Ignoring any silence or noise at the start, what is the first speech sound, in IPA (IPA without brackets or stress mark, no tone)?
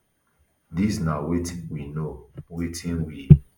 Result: d